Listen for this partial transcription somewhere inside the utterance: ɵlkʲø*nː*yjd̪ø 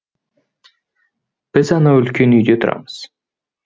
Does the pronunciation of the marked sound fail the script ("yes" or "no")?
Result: yes